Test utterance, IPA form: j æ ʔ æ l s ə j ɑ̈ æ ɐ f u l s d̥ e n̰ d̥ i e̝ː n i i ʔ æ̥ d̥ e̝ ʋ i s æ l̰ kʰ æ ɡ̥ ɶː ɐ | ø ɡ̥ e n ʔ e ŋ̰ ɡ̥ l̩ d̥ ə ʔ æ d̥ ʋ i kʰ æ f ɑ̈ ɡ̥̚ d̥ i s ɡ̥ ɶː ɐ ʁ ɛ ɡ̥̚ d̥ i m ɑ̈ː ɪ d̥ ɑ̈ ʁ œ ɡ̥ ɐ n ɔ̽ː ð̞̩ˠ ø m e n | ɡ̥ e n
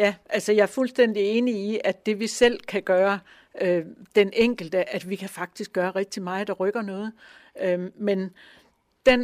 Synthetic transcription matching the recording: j æ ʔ æ l s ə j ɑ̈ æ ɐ f u l s d̥ e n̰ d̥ i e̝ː n i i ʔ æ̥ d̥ e̝ ʋ i s e l̰ kʰ æ ɡ̥ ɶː ɐ | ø d̥ e n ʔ e ŋ̰ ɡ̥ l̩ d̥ ə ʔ æ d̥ ʋ i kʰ æ f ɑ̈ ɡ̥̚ d̥ i s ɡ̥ ɶː ɐ ʁ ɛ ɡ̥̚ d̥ i m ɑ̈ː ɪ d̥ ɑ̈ ʁ œ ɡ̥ ɐ n ɔ̽ː ð̞̩ˠ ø m e n | d̥ e n